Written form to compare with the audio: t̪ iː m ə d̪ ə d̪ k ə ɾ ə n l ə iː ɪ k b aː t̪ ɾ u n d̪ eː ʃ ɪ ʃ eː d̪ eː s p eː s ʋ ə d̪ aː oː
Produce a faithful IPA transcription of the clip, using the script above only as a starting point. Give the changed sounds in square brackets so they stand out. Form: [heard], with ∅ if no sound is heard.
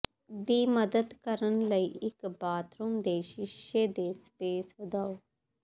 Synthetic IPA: [d̪] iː m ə d̪ ə d̪ k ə ɾ ə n l ə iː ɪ k b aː t̪ ɾ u [m] d̪ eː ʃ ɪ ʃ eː d̪ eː s p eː s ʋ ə d̪ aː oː